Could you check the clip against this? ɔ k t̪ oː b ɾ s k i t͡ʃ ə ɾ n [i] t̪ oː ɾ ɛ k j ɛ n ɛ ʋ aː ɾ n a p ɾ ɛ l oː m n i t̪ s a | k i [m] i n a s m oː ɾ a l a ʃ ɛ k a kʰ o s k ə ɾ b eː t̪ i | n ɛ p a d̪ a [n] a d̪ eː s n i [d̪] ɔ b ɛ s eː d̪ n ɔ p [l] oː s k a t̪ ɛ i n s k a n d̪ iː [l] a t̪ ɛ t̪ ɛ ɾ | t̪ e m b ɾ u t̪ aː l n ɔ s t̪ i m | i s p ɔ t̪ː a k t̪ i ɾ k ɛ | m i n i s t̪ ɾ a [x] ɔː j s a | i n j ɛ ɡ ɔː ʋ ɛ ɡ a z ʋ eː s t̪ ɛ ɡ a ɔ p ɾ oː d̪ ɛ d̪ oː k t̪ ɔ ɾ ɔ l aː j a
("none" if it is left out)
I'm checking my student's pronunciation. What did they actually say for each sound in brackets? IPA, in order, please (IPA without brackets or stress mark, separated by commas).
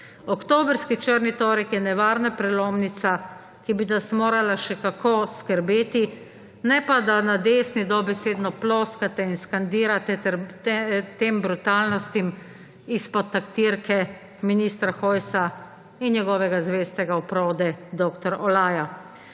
i, b, n, d̪, l, ɾ, x